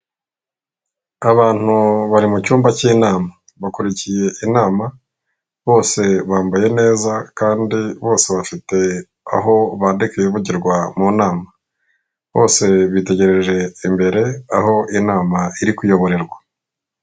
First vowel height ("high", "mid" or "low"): low